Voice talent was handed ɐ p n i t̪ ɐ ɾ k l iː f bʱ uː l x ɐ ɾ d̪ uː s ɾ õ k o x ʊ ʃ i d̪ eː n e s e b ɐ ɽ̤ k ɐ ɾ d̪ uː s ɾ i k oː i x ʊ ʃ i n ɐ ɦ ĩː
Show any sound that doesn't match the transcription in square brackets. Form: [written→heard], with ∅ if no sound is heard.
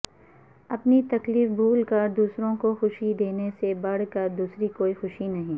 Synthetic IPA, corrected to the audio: ɐ p n i t̪ ɐ [ɾ→∅] k l iː f bʱ uː l [x→k] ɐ ɾ d̪ uː s ɾ õ k o x ʊ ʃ i d̪ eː n e s e b ɐ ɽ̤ k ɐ ɾ d̪ uː s ɾ i k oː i x ʊ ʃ i n ɐ ɦ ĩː